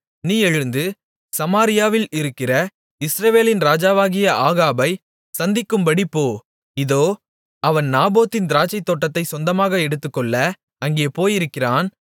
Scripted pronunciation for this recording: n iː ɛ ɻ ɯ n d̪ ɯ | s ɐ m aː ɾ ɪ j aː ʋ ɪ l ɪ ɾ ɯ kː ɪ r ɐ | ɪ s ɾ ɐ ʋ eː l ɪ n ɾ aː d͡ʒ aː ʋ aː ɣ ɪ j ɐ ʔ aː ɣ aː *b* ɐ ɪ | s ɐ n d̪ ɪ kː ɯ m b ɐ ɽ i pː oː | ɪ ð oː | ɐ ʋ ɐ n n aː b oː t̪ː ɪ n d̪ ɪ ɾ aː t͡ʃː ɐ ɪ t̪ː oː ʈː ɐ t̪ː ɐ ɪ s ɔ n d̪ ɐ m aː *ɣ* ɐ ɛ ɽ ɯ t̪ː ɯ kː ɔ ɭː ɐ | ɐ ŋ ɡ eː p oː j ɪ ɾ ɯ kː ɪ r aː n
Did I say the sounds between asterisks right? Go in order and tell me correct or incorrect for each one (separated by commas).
correct, correct